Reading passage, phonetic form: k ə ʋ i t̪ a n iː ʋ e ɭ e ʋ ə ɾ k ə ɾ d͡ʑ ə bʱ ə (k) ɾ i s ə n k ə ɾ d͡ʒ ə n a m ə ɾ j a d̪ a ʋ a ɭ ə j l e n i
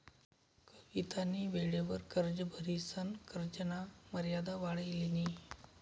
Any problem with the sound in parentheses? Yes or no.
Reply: yes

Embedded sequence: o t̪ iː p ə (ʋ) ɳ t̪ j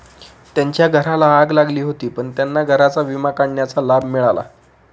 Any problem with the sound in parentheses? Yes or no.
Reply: yes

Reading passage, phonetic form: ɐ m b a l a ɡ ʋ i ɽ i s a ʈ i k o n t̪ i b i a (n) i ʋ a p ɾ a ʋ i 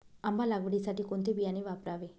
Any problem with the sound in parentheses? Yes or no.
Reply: no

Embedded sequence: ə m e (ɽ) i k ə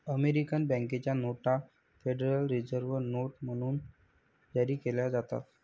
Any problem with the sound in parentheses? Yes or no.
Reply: yes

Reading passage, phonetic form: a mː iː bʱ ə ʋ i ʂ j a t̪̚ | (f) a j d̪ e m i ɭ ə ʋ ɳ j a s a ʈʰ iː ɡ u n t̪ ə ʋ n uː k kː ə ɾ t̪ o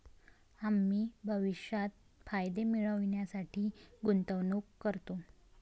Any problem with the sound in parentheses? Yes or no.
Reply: no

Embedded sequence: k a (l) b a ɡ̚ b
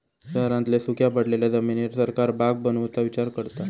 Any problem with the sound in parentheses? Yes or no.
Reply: yes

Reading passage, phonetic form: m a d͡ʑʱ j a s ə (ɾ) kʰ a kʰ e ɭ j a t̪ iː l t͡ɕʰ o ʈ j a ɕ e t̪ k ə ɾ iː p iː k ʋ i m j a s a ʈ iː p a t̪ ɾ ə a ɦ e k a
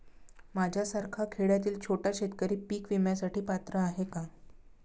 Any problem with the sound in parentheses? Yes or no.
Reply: no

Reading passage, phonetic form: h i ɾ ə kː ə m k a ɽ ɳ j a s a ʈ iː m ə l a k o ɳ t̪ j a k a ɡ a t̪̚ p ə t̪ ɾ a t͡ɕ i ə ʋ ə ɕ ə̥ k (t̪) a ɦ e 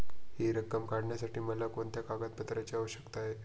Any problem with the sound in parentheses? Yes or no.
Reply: no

